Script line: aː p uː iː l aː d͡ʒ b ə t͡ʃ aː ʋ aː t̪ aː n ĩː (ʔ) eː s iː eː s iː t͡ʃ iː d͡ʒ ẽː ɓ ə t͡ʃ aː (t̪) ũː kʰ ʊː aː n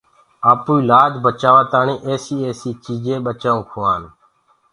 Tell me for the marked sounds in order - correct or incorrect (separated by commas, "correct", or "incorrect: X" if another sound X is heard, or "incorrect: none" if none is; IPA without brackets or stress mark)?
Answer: correct, incorrect: none